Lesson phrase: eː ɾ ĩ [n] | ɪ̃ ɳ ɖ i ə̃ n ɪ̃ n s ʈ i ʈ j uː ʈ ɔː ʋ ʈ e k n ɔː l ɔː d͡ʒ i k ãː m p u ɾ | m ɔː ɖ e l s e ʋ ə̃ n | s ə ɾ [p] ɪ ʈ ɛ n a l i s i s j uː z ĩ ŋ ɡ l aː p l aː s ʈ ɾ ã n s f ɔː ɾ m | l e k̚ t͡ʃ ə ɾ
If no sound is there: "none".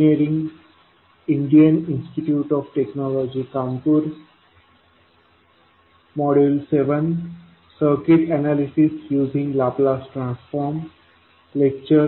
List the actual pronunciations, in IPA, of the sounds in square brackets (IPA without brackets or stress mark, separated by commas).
ŋ, k